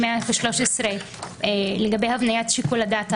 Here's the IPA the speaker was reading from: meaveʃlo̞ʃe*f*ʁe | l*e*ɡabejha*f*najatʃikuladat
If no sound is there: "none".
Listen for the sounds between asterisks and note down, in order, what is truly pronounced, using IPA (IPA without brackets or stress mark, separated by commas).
s, e, v